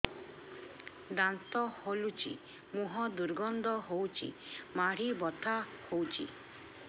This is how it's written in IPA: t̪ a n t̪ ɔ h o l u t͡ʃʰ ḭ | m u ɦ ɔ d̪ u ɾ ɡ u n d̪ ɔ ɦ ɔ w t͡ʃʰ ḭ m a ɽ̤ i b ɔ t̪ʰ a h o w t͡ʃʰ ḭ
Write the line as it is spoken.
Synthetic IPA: d̪ a n t̪ ɔ h o l u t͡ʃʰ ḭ | m u ɦ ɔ d̪ u ɾ ɡ ɔ n d̪ ɔ ɦ o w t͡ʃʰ ḭ m a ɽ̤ i b ɔ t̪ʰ a h o w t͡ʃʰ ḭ